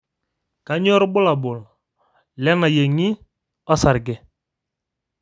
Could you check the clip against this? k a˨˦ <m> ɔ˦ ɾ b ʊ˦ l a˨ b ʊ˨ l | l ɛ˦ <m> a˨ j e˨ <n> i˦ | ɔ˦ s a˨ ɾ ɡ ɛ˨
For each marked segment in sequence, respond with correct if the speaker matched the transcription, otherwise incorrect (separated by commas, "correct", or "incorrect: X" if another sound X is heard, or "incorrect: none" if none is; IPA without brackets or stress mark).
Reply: incorrect: ɲ, incorrect: n, incorrect: ŋ